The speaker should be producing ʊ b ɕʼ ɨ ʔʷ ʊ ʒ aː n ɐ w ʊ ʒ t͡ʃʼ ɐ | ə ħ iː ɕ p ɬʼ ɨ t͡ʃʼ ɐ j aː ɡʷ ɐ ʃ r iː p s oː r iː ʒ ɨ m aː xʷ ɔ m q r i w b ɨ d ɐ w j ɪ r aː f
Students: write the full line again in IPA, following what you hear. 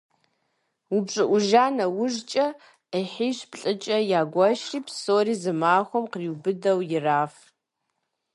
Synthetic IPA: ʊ b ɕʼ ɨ ʔʷ ʊ ʒ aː n ɐ w ʊ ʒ t͡ʃʼ ɐ | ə ħ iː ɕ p ɬʼ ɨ t͡ʃʼ ɐ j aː ɡʷ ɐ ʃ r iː p s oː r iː z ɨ m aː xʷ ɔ m q r i w b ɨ d ɐ w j ɪ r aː f

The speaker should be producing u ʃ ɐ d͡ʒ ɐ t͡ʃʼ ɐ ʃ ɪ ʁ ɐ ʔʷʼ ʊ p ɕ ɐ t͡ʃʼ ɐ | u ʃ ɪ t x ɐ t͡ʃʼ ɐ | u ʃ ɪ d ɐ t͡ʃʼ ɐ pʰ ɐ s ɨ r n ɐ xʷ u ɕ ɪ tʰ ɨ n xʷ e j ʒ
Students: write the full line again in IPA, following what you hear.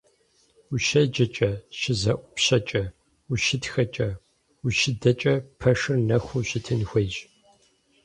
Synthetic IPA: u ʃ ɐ d͡ʒ ɐ t͡ʃʼ ɐ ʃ ɪ z ɐ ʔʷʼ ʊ p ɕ ɐ t͡ʃʼ ɐ | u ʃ ɪ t x ɐ t͡ʃʼ ɐ | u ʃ ɪ d ɐ t͡ʃʼ ɐ pʰ ɐ ʂ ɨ r n ɐ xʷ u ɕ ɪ tʰ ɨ n xʷ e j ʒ

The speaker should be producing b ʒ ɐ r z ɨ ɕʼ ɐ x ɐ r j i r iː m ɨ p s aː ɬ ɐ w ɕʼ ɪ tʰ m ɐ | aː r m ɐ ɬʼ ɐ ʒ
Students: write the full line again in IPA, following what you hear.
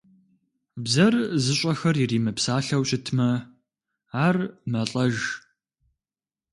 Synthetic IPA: b z ɐ r z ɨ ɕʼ ɐ x ɐ r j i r iː m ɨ p s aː ɬ ɐ w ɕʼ ɪ tʰ m ɐ | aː r m ɐ ɬʼ ɐ ʒ

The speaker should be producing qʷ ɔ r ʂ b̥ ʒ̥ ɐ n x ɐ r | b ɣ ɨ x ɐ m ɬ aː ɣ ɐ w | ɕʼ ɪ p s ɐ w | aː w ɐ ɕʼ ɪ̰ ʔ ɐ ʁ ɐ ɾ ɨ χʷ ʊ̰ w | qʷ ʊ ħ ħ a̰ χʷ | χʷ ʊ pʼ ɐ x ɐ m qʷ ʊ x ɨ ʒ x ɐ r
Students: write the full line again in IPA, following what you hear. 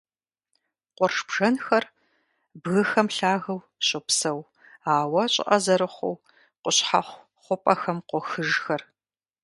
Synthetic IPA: qʷ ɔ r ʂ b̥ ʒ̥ ɐ n x ɐ r | b ɣ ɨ x ɐ m ɬ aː ɣ ɐ w | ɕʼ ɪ p s ɐ w | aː w ɐ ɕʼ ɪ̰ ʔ ɐ z ɐ ɾ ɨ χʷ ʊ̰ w | qʷ ʊ ɕ ħ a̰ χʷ | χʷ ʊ pʼ ɐ x ɐ m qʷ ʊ x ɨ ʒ x ɐ r

